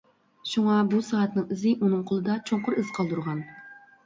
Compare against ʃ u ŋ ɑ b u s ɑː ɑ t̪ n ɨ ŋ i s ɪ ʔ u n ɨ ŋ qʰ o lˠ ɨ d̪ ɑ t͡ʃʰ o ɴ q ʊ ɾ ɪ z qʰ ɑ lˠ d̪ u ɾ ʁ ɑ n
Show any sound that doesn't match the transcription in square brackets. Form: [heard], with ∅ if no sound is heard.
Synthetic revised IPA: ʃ u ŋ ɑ b u s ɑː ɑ t̪ n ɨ ŋ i [z] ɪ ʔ u n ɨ ŋ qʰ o lˠ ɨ d̪ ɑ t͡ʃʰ o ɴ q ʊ ɾ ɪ z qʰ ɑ lˠ d̪ u ɾ ʁ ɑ n